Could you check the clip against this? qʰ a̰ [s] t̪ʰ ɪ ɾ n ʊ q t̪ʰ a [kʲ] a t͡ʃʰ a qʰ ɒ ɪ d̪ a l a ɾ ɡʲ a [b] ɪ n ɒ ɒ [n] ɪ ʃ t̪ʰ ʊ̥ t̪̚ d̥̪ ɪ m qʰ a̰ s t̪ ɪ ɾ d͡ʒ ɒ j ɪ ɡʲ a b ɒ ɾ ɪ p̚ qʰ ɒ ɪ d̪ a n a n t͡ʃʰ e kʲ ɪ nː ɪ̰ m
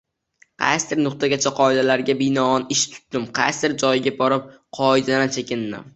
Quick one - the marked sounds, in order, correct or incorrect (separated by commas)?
correct, incorrect, correct, correct